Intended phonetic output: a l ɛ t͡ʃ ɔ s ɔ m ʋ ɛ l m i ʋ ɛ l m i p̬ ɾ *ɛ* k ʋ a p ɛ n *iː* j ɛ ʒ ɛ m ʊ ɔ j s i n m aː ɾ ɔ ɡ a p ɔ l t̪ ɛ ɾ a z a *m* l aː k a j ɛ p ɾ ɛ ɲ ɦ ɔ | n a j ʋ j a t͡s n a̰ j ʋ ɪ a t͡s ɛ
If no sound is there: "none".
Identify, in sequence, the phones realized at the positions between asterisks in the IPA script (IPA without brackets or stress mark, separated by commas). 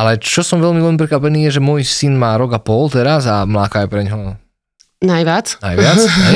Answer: ɛ, iː, m